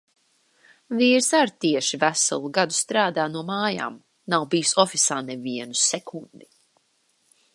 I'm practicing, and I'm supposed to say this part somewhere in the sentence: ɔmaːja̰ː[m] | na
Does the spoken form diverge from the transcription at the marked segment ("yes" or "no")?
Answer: no